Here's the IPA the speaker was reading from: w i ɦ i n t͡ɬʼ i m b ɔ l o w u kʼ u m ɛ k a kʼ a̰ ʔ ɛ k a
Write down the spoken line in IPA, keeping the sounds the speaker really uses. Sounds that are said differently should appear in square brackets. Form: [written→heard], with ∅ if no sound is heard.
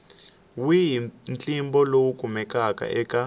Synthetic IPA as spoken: w i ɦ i n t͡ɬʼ i m b ɔ l o w u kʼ u m ɛ k a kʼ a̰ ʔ ɛ k a